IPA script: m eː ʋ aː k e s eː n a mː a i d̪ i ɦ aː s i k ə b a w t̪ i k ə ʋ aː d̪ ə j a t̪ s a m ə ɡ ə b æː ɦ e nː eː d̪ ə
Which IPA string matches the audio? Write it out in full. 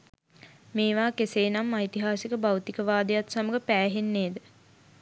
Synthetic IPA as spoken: m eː ʋ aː k e s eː n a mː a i t̪ i ɦ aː s i k ə b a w t̪ i k ə ʋ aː d̪ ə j a t̪ s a m ə ɡ ə p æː ɦ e nː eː d̪ ə

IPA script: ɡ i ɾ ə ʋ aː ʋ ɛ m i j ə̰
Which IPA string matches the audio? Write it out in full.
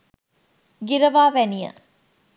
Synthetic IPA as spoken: ɡ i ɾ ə ʋ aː ʋ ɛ n i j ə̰

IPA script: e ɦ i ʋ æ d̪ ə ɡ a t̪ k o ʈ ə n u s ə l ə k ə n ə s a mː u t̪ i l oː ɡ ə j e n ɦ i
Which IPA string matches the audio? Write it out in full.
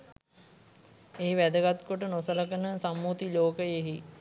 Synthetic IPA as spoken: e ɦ i ʋ æ d̪ ə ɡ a t̪ k o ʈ ə n o s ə l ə k ə n ə s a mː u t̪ i l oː k ə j e ɦ i

